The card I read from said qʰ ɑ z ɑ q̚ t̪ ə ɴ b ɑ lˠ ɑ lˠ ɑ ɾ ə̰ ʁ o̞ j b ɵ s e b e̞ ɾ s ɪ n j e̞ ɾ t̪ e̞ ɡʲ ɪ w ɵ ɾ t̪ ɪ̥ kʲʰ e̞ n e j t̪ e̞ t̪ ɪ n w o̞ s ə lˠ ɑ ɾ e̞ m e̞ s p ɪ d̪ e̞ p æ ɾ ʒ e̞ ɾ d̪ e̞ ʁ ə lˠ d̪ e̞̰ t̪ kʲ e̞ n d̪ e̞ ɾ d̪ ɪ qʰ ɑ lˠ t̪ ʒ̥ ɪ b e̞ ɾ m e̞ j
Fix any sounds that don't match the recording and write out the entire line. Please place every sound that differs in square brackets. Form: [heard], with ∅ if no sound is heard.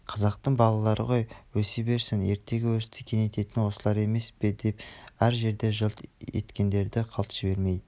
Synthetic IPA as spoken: qʰ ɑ z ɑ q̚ t̪ ə ɴ b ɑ lˠ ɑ lˠ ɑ ɾ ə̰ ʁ o̞ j [w] ɵ s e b e̞ ɾ s ɪ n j e̞ ɾ t̪ e̞ ɡʲ ɪ w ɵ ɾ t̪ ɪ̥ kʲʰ e̞ n e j t̪ e̞ t̪ ɪ n w o̞ s ə lˠ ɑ ɾ e̞ m e̞ s p ɪ d̪ e̞ p æ ɾ ʒ e̞ ɾ d̪ e̞ [ʒ] ə lˠ [t̪] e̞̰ t̪ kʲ e̞ n d̪ e̞ ɾ d̪ ɪ qʰ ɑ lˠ t̪ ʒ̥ ɪ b e̞ ɾ m e̞ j